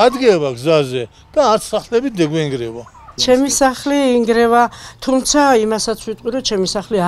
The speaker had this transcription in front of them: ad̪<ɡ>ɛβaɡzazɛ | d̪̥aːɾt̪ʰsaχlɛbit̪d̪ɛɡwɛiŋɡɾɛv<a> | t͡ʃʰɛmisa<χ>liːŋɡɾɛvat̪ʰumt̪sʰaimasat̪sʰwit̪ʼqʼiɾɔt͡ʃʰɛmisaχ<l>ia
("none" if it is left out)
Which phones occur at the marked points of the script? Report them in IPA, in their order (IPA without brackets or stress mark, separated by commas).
ɡ, a, χ, l